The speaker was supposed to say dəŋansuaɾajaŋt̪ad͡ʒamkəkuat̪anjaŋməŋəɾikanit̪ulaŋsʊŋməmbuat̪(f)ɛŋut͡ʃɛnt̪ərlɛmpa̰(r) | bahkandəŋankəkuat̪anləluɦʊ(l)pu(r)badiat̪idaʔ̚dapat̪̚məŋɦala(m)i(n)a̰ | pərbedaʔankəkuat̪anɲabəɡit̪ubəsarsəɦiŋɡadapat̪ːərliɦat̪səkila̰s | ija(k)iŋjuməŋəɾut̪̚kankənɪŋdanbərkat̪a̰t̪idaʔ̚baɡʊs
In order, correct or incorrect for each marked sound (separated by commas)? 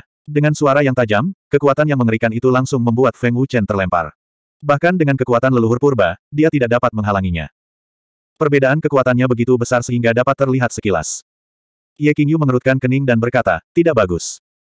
correct, correct, incorrect, correct, incorrect, incorrect, correct